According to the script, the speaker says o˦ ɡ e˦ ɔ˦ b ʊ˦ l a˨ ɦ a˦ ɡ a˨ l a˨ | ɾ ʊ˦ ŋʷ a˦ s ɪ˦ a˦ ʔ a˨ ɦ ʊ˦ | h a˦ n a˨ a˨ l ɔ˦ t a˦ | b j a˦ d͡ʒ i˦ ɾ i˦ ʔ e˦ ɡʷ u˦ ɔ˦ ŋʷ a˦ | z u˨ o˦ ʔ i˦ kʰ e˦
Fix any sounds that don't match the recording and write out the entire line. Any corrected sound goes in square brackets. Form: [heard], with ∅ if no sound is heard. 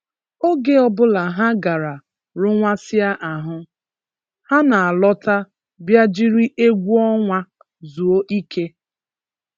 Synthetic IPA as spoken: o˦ ɡ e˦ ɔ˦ b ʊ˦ l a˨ ɦ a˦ ɡ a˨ [ɾ] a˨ | ɾ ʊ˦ ŋʷ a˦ s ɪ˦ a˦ ʔ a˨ ɦ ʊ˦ | h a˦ n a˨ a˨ l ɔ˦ t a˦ | b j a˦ d͡ʒ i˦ ɾ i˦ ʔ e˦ ɡʷ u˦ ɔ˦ ŋʷ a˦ | z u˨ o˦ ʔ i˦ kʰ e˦